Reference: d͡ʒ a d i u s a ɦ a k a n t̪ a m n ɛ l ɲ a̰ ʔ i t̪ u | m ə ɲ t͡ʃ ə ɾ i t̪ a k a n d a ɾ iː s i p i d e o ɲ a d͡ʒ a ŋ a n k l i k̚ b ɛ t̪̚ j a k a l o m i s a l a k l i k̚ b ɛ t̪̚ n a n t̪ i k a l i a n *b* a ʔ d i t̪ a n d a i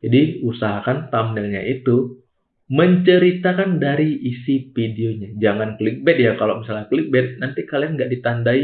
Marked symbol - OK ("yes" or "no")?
no